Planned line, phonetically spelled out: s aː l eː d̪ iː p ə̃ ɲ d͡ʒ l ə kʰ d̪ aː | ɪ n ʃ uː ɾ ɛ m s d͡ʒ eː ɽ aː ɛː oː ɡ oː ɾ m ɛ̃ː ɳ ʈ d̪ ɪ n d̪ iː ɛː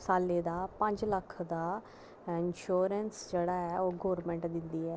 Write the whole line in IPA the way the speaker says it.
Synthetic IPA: s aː l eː d̪ aː p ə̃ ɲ d͡ʒ l ə kʰ d̪ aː | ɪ n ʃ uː ɾ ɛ n s d͡ʒ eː ɽ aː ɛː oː ɡ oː ɾ m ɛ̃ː ɳ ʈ d̪ ɪ n d̪ iː ɛː

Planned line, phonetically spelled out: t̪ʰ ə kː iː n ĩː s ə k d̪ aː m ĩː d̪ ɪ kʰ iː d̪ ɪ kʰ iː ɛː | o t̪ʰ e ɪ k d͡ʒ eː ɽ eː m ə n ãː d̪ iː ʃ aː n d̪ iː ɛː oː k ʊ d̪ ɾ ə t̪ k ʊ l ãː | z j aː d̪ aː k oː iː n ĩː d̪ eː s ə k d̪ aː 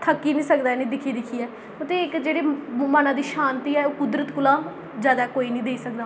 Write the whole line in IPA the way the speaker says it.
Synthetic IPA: t̪ʰ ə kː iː n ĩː s ə k d̪ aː n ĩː d̪ ɪ kʰ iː d̪ ɪ kʰ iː ɛː | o t̪ e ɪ k d͡ʒ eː ɽ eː m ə n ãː d̪ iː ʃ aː n t̪ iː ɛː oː k ʊ d̪ ɾ ə t̪ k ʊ l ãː | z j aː d̪ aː k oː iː n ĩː d̪ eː s ə k d̪ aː

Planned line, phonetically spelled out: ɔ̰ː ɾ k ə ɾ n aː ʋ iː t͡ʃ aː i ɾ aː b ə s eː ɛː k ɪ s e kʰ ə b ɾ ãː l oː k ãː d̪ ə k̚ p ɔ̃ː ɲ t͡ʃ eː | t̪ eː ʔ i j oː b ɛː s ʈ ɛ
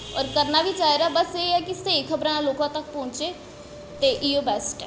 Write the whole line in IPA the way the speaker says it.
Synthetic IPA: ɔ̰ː ɾ k ə ɾ n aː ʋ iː t͡ʃ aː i ɾ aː b ə s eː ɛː k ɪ s e kʰ ə b ɾ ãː l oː k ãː t̪ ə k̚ p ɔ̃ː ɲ t͡ʃ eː | t̪ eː ʔ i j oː b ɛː s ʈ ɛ

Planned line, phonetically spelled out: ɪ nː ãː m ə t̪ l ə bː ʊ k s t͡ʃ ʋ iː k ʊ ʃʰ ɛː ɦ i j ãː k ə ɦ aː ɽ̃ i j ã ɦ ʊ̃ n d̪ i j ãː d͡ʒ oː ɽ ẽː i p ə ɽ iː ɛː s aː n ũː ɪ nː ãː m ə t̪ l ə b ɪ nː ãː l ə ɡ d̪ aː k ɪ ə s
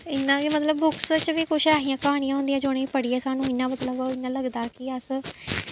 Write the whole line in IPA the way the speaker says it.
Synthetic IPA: ɪ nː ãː m ə t̪ l ə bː ʊ k s t͡ʃ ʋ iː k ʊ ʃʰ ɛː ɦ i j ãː k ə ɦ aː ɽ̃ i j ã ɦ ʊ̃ n d̪ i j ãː d͡ʒ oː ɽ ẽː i p ə ɽ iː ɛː s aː n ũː ɪ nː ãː m ə t̪ l ə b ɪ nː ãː l ə ɡ d̪ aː k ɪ ə s

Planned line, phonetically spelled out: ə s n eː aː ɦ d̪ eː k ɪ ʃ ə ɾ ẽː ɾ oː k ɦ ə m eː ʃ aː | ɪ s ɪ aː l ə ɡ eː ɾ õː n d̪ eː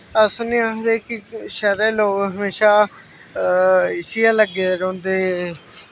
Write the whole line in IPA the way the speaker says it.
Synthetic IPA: ə s n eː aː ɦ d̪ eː k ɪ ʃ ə ɾ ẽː l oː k ɦ ə m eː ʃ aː | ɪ s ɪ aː l ə ɡ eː ɾ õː n d̪ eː

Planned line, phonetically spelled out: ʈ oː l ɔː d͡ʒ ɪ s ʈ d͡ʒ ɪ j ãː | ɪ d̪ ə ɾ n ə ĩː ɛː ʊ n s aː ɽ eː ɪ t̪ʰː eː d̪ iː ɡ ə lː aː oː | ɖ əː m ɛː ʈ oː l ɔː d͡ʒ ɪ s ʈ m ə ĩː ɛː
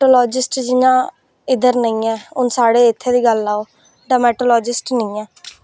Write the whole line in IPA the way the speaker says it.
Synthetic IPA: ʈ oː l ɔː d͡ʒ ɪ s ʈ d͡ʒ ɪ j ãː | ɪ d̪ ə ɾ n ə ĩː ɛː ʊ n s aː ɽ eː ɪ t̪ʰː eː d̪ iː ɡ ə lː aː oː | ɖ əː m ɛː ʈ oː l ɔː d͡ʒ ɪ s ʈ n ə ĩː ɛː

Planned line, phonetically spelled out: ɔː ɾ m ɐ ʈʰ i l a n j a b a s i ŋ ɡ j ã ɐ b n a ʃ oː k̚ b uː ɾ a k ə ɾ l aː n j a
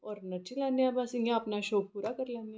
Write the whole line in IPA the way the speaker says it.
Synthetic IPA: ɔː ɾ n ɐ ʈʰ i l a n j a b a s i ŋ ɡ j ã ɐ p n a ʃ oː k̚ p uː ɾ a k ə ɾ l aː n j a

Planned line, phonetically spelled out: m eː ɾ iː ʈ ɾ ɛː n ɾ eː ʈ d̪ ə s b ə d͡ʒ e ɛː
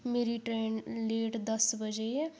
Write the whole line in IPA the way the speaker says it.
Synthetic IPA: m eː ɾ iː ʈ ɾ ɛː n l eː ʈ d̪ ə s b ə d͡ʒ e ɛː

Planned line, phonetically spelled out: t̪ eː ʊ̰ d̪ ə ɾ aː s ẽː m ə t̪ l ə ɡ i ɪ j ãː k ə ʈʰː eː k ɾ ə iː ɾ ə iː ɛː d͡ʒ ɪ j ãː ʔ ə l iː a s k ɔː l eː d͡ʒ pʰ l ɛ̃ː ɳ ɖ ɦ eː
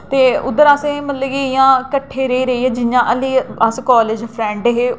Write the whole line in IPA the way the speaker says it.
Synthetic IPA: t̪ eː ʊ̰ d̪ ə ɾ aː s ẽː m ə t̪ l ə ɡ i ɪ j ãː k ə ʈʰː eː ɾ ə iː ɾ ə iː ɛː d͡ʒ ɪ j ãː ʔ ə l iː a s k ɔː l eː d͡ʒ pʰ ɾ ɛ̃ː ɳ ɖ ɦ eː

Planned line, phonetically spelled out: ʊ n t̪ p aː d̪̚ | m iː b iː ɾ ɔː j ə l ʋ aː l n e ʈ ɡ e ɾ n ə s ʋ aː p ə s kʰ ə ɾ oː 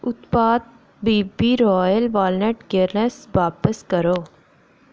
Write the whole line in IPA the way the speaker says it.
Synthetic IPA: ʊ t̪ p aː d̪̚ | b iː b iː ɾ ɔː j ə l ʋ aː l n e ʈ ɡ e ɾ n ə s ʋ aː p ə s k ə ɾ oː

